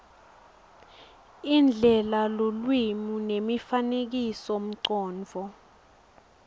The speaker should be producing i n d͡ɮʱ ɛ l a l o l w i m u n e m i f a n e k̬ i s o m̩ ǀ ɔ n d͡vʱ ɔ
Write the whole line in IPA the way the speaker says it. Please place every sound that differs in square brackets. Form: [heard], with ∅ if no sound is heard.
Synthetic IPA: i n d͡ɮʱ ɛ l a l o l w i m u n e m i f a n e k̬ i s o m̩ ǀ [ɔː] n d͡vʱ ɔ